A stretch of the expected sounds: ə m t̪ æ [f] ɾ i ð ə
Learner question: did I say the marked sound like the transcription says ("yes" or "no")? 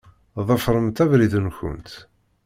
no